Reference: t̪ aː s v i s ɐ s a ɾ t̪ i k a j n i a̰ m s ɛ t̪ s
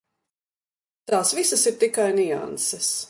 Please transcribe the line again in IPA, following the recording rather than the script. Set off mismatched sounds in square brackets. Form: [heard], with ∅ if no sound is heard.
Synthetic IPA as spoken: t̪ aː s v i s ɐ s [i] ɾ t̪ i k a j n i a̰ [n] s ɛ [∅] s